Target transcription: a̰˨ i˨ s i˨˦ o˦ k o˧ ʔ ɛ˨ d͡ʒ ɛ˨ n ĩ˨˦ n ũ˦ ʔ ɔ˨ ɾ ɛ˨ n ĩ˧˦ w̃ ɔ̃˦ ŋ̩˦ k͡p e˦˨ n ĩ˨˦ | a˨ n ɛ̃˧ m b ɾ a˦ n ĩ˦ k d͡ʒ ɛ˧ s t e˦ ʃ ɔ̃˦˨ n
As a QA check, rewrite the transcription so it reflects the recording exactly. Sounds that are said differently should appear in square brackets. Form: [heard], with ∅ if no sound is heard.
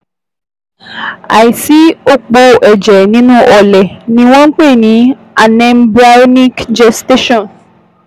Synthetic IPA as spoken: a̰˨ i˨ s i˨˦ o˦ [k͡p] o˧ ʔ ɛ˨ d͡ʒ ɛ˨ n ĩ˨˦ n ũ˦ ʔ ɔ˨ [l] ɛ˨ n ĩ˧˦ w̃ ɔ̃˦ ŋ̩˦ k͡p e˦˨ n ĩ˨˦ | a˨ n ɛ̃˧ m b ɾ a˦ n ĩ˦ k d͡ʒ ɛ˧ s t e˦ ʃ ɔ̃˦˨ n